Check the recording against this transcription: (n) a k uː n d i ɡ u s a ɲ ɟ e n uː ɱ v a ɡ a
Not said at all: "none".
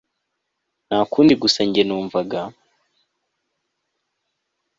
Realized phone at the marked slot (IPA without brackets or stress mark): n